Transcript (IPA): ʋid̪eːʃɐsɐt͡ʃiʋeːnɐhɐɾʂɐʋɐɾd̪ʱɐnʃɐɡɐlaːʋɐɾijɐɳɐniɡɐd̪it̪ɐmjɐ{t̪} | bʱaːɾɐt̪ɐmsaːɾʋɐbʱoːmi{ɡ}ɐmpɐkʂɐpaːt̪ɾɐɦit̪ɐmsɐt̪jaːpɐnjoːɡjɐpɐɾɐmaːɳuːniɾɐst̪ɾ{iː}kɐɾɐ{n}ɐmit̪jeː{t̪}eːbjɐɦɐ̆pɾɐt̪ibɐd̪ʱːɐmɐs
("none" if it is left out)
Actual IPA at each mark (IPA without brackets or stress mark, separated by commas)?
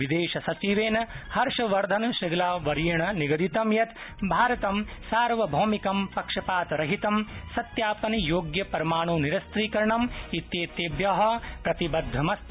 t̪, k, iː, ɳ, t̪